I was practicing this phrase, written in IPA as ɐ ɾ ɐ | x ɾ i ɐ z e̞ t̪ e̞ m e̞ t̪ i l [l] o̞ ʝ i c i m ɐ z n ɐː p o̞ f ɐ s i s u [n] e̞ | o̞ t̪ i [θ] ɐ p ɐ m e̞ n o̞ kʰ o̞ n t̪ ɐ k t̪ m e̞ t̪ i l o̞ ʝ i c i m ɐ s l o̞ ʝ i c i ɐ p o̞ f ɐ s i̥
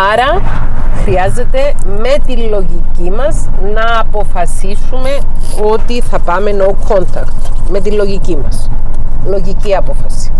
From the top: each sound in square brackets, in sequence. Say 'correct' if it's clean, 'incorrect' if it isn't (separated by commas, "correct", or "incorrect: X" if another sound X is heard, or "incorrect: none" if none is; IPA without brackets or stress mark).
correct, incorrect: m, correct